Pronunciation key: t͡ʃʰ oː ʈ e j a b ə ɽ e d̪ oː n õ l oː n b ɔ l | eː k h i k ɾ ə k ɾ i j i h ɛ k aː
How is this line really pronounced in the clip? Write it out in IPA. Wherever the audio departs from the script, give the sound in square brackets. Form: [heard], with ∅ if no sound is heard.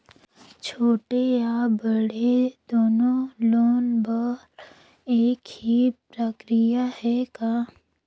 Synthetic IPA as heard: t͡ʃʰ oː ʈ e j a b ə ɽ e d̪ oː n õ l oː n b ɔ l | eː k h i [p] ɾ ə k ɾ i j [a] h ɛ k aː